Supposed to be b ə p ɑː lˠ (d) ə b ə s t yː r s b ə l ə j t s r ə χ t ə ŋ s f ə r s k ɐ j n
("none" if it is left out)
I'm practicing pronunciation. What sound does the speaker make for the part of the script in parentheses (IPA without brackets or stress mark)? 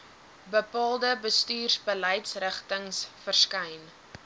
d